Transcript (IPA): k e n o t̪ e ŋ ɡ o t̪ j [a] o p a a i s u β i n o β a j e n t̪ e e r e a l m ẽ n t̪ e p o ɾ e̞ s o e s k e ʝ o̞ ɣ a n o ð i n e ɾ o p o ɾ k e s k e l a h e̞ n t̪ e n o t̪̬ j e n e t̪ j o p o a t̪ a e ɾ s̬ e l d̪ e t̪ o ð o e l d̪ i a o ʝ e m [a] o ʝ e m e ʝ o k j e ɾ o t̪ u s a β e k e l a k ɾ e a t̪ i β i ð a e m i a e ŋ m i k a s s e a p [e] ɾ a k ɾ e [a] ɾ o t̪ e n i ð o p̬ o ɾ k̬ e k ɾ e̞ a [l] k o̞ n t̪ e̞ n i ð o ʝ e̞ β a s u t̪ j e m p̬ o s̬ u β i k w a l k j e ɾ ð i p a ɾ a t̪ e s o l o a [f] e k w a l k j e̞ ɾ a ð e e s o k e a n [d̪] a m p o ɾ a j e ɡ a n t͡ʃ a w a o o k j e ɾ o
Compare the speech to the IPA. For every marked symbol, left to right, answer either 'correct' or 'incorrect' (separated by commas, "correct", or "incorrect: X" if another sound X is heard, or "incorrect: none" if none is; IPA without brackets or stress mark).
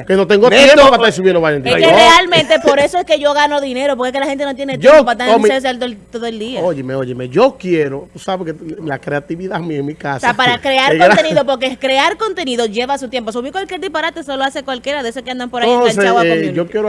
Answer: incorrect: e, incorrect: e, incorrect: a, correct, incorrect: ɾ, incorrect: s, correct